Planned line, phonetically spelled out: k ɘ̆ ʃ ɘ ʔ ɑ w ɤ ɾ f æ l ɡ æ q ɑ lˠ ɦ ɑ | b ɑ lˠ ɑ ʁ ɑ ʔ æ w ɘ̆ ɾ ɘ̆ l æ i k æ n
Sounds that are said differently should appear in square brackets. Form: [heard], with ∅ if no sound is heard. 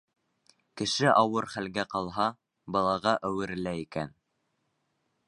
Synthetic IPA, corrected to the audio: k ɘ̆ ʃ ɘ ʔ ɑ w ɤ ɾ [χ] æ l ɡ æ q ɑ lˠ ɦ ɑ | b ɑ lˠ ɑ ʁ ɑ ʔ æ w ɘ̆ ɾ ɘ̆ l æ i k æ n